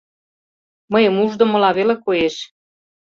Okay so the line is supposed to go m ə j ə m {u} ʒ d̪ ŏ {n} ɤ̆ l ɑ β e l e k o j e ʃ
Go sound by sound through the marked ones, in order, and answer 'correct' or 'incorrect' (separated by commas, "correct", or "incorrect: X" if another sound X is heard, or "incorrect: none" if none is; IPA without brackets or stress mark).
correct, incorrect: m